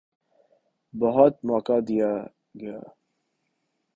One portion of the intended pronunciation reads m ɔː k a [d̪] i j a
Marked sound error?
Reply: no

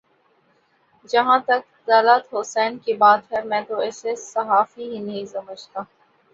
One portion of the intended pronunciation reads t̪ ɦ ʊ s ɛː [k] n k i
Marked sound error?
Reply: yes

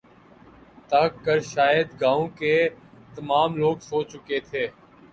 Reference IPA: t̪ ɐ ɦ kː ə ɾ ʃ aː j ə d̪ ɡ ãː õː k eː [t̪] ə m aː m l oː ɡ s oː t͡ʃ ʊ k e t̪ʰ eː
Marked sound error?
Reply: no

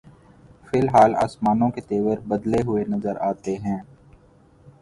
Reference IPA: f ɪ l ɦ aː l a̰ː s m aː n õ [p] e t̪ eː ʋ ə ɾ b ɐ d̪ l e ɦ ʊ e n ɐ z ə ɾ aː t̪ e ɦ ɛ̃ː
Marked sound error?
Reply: yes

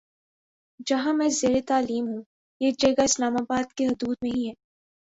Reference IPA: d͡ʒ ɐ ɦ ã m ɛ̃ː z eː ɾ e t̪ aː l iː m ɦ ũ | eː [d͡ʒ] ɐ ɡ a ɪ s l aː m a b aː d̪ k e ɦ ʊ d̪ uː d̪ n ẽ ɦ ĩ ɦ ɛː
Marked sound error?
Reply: no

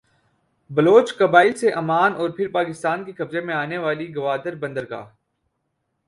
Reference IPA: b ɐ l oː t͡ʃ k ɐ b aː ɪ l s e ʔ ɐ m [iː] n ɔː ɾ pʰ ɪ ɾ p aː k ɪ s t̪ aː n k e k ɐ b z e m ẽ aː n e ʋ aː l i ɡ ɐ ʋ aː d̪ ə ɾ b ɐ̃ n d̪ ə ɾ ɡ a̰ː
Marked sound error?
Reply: yes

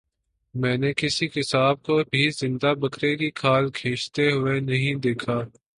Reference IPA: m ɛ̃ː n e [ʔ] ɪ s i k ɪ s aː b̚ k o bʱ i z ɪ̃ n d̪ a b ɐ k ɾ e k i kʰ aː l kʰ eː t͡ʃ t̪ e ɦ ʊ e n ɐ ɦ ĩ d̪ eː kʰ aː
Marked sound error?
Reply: yes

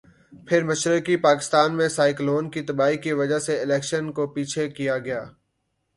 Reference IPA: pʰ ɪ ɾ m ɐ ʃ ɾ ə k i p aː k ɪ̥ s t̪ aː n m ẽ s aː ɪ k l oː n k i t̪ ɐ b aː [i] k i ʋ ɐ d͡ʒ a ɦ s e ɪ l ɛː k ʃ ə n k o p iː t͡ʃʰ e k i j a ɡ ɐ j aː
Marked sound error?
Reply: no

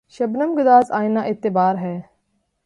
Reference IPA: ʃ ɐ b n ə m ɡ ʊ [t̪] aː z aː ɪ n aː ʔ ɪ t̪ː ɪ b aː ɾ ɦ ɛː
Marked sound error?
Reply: yes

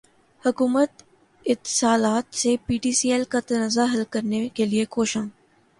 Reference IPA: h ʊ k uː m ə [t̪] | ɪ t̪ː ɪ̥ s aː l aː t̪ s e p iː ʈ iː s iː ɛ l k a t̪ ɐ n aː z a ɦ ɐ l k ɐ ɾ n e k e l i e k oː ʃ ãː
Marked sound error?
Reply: no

